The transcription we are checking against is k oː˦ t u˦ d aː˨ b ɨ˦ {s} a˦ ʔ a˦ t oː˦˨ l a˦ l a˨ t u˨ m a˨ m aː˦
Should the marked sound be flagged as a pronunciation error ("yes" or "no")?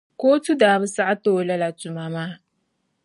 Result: no